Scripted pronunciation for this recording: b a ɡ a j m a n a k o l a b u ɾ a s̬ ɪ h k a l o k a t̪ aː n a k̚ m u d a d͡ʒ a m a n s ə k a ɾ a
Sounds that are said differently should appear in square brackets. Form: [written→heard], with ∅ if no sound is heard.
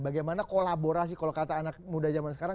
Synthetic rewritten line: b a ɡ a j m a n a k o l a b [u→o] ɾ a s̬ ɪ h k a l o k a t̪ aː n a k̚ m u d a d͡ʒ a m a n s ə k a ɾ a